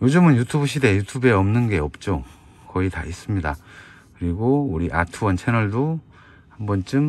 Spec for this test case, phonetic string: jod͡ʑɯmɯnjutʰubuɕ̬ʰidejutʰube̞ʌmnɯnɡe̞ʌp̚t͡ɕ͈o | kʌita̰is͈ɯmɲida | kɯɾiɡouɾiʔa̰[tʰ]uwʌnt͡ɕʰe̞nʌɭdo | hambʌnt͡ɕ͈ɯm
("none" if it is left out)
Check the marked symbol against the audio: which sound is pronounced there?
tʰ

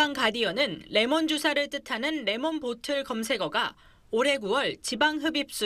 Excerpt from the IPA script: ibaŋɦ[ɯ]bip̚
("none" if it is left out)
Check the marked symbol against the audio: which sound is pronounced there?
ɯ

